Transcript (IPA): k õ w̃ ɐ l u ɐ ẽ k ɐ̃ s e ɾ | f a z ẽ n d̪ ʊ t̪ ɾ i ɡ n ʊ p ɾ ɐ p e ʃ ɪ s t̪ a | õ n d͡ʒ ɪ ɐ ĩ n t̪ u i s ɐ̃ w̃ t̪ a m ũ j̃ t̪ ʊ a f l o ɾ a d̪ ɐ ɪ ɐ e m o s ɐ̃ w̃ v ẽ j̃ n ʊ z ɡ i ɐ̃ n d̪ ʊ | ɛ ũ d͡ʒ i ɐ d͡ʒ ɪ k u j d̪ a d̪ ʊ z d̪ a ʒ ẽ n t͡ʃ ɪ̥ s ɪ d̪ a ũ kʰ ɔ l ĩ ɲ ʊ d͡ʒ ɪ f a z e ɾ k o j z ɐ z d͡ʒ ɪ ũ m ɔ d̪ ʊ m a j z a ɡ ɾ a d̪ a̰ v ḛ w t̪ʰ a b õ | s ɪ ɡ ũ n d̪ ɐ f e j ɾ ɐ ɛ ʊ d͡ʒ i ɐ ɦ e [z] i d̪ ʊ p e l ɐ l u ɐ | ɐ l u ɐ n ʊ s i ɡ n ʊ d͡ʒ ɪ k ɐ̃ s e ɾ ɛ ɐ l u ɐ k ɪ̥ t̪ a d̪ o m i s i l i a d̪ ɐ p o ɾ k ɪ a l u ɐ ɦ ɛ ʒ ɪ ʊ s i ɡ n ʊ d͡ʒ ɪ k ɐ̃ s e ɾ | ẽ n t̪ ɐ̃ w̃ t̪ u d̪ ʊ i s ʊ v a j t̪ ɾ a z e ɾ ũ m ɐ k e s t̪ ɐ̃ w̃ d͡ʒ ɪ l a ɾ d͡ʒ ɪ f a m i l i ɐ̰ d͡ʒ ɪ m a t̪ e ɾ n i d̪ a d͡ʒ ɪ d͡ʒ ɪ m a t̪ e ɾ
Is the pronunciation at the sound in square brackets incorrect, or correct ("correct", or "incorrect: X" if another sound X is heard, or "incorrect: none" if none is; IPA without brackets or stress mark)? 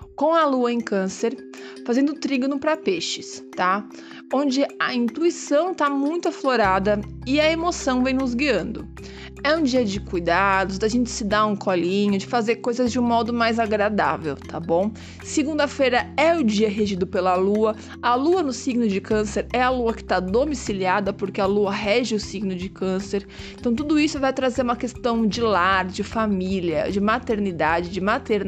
incorrect: ʒ